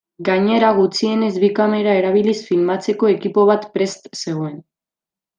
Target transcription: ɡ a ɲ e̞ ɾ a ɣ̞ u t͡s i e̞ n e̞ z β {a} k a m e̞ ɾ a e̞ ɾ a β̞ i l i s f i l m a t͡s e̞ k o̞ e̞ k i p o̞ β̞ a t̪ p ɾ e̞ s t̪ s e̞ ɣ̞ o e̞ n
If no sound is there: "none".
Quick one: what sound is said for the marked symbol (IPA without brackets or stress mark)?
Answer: i